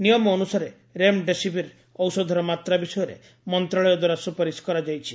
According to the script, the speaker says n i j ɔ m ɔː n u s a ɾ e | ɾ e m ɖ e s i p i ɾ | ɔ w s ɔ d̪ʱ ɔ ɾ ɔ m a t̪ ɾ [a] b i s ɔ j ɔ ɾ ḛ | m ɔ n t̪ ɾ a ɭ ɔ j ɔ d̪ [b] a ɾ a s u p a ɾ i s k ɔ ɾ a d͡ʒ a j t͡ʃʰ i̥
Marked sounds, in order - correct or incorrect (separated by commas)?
correct, incorrect